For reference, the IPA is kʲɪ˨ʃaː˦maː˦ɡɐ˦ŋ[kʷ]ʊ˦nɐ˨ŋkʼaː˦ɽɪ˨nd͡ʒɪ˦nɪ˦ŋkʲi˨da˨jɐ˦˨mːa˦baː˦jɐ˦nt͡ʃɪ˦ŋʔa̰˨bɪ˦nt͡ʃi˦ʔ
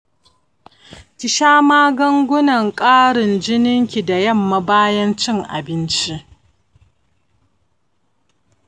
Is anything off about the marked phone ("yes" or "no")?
yes